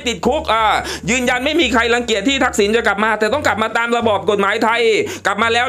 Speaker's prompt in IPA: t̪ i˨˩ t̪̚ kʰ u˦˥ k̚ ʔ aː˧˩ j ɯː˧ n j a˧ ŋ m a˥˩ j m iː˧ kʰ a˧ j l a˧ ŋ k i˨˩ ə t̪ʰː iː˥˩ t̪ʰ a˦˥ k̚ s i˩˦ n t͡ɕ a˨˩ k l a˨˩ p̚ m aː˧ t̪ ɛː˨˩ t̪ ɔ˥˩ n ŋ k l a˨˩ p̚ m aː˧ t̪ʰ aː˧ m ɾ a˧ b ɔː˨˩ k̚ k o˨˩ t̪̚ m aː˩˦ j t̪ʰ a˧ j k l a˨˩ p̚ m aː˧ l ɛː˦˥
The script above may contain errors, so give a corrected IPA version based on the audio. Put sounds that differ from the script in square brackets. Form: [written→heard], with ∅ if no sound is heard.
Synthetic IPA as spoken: t̪ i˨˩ t̪̚ kʰ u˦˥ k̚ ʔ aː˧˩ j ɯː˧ n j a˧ [ŋ→n] m a˥˩ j m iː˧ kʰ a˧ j l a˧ ŋ k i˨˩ ə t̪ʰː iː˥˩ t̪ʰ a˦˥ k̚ s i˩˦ n t͡ɕ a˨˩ k l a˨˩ p̚ m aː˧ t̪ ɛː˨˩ t̪ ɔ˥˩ [n→∅] ŋ k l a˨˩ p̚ m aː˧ [t̪ʰ→t̪] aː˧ m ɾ a˧ b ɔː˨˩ [k̚→p̚] k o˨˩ t̪̚ m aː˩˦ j t̪ʰ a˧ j k l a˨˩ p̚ m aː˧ l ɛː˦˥